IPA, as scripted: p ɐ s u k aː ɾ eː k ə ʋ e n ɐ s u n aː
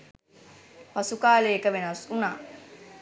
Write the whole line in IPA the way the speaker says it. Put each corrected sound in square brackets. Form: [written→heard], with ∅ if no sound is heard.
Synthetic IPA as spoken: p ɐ s u k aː [ɾ→l] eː k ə ʋ e n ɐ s u n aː